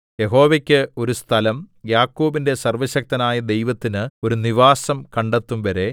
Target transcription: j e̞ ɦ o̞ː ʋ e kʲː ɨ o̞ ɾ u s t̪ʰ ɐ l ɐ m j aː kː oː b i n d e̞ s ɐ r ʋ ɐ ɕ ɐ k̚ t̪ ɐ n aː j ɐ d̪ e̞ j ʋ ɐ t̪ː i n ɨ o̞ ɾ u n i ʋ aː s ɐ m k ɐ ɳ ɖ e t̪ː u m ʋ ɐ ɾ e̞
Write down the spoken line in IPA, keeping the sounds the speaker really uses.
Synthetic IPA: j e̞ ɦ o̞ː ʋ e kʲː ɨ o̞ ɾ u s t̪ʰ ɐ l ɐ m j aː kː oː b i n d e̞ s ɐ r ʋ ɐ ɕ ɐ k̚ t̪ ɐ n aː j ɐ d̪ e̞ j ʋ ɐ t̪ː i n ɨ o̞ ɾ u n i ʋ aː s ɐ m k ɐ ɳ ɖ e t̪ː u m ʋ ɐ ɾ e̞